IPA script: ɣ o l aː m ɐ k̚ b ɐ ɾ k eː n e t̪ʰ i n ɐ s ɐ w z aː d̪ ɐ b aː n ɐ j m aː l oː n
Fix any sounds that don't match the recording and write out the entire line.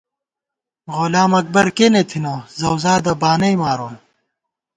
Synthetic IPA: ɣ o l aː m ɐ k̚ b ɐ ɾ k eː n e t̪ʰ i n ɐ z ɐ w z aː d̪ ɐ b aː n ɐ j m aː ɾ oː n